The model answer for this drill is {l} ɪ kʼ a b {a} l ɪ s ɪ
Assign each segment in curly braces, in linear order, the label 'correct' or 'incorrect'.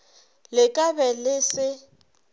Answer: correct, incorrect: ɛ

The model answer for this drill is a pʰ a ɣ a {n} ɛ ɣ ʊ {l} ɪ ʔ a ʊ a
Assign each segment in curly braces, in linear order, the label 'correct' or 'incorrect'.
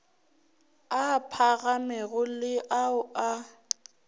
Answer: incorrect: m, correct

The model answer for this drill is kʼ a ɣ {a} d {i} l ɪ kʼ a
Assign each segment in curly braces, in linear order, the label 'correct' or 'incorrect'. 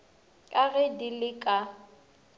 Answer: incorrect: ɛ, correct

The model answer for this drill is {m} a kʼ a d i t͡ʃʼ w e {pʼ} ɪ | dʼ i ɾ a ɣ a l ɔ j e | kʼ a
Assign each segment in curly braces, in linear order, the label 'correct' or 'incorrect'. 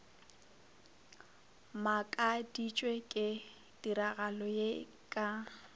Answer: correct, incorrect: kʼ

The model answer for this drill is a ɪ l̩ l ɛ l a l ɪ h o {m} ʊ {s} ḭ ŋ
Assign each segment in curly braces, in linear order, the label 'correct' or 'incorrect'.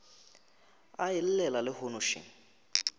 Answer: incorrect: n, incorrect: ʃ

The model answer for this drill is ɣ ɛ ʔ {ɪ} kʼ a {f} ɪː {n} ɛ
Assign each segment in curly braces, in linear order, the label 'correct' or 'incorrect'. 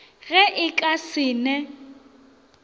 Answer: correct, incorrect: s, correct

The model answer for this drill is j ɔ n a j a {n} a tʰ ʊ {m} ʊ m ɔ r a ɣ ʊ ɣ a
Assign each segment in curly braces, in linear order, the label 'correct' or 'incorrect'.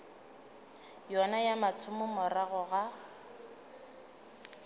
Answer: incorrect: m, correct

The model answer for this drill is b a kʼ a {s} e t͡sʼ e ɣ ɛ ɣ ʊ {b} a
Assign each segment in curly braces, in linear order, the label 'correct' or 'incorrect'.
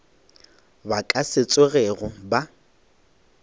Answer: correct, correct

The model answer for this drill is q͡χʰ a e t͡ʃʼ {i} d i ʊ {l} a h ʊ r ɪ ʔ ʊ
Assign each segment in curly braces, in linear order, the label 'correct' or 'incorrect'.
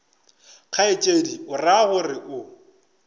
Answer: incorrect: e, incorrect: r

